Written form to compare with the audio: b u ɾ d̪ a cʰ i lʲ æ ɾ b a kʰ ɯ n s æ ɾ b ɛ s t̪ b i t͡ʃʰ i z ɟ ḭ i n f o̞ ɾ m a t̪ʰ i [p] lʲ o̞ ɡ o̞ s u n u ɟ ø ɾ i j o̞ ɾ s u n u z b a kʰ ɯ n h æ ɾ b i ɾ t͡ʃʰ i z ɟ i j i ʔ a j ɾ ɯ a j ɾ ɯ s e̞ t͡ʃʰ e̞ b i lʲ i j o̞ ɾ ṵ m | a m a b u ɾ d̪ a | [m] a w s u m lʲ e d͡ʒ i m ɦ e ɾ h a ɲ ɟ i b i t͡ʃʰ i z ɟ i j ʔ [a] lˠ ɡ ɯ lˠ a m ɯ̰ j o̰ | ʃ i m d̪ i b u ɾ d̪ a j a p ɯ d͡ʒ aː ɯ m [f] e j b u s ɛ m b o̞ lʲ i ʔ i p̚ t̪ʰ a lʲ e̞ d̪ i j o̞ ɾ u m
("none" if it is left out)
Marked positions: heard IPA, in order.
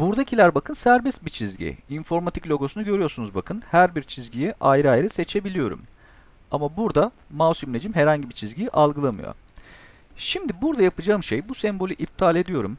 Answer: c, m, a, ʃ

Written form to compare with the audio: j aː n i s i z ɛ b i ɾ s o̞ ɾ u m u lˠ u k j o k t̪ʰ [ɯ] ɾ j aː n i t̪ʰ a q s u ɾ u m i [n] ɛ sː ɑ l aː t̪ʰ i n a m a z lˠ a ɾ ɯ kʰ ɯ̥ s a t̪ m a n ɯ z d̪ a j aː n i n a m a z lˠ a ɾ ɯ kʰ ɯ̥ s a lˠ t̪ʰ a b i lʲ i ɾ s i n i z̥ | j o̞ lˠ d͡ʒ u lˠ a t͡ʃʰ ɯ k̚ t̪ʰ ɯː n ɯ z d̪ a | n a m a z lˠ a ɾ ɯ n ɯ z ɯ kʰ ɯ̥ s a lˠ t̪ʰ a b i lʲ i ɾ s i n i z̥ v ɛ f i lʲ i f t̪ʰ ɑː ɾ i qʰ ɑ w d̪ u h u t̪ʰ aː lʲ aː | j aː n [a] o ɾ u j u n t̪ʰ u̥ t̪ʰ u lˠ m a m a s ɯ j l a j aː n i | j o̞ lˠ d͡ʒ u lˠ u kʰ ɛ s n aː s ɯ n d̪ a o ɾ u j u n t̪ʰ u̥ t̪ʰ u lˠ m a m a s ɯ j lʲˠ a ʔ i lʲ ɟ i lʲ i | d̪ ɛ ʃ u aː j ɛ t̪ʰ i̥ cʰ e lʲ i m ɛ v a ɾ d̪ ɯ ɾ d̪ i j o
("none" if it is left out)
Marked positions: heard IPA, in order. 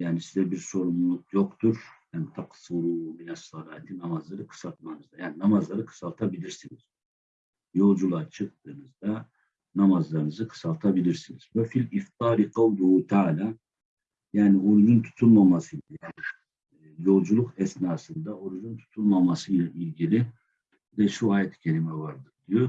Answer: u, n, i

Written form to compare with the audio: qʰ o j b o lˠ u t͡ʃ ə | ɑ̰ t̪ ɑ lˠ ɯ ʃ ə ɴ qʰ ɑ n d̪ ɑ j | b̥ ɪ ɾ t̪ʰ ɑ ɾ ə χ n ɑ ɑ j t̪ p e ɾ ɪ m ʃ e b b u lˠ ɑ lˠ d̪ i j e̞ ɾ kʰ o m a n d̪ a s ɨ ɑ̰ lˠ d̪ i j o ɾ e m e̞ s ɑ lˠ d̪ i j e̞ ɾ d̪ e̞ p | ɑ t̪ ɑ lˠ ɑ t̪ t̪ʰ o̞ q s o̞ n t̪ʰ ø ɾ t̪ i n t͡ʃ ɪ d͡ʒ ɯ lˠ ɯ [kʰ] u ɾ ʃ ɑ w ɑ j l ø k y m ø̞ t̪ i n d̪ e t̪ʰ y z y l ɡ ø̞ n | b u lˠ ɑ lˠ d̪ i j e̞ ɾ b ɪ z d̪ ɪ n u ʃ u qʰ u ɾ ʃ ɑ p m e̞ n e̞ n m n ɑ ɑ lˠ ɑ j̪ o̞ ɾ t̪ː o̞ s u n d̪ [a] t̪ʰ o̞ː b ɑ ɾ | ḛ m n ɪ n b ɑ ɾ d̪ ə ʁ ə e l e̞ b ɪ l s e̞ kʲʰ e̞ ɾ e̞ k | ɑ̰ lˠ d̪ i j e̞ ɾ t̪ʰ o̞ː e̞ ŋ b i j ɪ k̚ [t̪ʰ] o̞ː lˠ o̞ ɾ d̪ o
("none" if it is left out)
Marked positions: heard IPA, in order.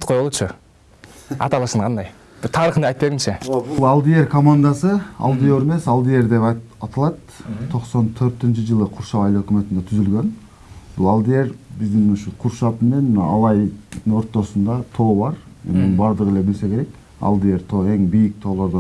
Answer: qʰ, ɑ, t̪ʰ

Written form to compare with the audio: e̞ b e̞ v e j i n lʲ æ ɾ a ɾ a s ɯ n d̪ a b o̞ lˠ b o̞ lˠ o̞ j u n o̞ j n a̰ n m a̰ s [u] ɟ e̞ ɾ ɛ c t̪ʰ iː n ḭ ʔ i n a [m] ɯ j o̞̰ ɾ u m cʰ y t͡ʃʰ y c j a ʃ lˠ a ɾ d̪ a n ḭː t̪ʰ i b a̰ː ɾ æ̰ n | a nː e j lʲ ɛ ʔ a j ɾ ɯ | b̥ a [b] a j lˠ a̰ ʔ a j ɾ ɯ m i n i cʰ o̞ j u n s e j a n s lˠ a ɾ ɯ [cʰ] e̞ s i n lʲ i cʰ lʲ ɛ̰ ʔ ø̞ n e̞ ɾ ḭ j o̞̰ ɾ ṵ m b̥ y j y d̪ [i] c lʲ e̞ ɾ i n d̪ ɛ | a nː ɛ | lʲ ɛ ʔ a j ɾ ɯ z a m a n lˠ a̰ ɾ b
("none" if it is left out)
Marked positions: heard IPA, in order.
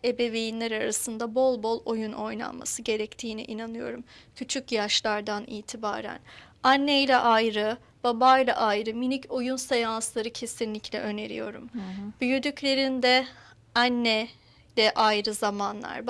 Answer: ɯ, n, b, cʰ, y

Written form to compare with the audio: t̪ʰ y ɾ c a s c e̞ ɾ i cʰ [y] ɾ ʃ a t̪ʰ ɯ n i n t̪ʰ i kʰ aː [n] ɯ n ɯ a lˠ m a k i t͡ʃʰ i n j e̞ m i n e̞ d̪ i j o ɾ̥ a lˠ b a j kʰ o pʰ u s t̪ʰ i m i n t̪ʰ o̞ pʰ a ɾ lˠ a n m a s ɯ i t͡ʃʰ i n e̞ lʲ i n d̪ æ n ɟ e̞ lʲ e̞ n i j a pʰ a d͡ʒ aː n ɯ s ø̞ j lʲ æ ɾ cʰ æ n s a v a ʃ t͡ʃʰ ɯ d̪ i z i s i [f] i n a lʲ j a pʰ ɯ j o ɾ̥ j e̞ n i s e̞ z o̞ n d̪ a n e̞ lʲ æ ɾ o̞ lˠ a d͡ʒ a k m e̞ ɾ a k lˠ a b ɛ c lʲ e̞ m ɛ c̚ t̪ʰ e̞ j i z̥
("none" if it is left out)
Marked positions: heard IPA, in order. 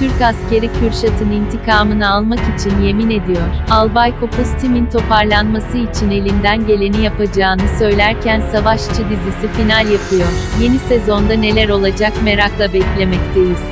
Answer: y, m, f

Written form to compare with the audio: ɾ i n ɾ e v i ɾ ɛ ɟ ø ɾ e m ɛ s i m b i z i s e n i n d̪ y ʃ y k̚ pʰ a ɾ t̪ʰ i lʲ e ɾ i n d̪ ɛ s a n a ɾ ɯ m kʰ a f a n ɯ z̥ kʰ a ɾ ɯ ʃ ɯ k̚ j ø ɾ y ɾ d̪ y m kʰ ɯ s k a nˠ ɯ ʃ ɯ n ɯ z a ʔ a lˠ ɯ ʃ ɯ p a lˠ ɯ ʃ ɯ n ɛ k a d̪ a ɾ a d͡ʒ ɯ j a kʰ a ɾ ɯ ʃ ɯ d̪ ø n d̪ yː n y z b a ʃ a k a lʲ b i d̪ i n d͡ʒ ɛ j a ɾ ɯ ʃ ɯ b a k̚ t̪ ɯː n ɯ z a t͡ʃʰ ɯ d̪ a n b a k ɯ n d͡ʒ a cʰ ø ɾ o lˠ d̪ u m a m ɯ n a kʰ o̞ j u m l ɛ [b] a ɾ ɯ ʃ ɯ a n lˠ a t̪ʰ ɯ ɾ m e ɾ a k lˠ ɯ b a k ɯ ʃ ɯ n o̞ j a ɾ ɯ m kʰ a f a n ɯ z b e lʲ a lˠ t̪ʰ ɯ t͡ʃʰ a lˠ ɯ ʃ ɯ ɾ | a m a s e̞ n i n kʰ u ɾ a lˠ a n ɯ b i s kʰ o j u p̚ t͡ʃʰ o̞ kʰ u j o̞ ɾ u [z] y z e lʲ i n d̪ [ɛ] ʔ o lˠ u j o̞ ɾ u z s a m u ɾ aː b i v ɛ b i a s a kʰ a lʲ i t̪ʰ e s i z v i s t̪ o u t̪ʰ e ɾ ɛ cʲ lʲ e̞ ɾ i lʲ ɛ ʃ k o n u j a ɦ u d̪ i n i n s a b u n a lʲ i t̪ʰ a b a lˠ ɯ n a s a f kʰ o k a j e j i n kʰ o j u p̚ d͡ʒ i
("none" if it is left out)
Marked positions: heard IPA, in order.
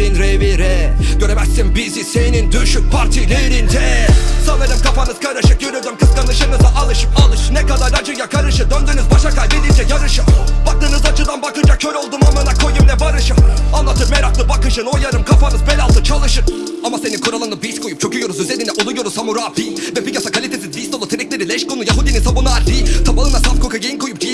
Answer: b, z, ɛ

